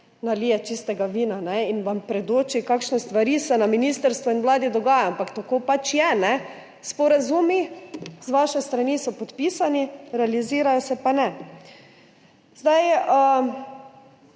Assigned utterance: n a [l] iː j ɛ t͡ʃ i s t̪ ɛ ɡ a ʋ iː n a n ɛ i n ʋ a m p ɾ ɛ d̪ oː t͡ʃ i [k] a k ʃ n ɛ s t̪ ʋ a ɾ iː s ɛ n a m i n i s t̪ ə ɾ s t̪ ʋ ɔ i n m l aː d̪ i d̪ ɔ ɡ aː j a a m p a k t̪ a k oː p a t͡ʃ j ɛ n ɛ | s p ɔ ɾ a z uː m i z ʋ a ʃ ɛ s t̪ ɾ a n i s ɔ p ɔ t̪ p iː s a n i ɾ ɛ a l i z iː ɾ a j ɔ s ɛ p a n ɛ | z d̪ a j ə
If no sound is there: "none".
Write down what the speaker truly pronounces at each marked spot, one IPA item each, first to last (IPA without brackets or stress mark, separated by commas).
l, k